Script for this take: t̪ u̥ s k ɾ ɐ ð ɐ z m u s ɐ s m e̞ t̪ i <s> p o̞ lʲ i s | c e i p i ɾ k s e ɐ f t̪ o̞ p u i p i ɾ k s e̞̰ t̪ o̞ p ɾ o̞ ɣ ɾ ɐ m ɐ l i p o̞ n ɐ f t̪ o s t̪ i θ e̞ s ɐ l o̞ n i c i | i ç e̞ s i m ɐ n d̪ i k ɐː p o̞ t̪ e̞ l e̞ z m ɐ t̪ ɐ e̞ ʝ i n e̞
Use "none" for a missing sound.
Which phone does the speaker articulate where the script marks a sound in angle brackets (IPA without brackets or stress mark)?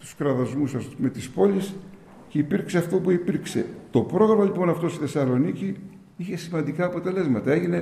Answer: s